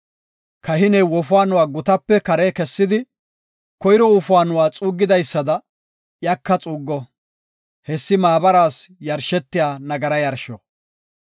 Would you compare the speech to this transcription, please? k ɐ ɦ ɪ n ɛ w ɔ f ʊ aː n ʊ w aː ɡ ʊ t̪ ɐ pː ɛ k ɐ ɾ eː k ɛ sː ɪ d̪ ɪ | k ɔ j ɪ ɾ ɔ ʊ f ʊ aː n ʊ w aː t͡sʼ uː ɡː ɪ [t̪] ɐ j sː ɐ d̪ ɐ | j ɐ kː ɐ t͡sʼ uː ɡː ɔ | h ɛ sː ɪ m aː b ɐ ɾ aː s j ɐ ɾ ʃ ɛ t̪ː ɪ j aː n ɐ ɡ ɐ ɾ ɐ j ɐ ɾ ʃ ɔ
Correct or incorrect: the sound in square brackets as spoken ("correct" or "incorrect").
incorrect